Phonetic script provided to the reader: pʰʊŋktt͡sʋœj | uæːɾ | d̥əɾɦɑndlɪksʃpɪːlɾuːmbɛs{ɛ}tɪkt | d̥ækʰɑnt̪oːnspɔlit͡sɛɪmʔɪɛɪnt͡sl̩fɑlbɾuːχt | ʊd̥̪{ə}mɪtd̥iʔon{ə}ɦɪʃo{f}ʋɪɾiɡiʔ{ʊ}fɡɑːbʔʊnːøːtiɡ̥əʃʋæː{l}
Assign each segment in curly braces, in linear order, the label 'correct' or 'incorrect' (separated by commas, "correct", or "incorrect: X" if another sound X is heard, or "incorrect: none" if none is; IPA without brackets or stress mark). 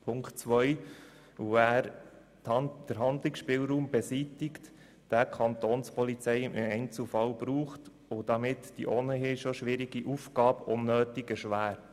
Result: incorrect: i, incorrect: ɑ, correct, incorrect: ʃ, incorrect: u, incorrect: ɾ